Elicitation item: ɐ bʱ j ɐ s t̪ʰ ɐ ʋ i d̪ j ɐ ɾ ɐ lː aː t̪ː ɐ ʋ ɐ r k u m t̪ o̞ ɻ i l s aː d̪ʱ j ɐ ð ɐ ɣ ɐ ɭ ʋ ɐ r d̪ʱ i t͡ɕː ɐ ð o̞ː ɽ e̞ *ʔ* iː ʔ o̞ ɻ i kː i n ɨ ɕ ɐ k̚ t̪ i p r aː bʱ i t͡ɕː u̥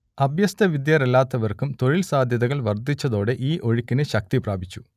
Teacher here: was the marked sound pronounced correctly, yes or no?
yes